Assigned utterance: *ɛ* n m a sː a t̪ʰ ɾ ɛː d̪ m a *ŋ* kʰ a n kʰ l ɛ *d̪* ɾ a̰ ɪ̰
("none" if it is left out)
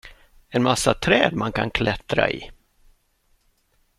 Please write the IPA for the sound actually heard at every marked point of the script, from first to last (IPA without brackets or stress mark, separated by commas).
ɛ, n, t̪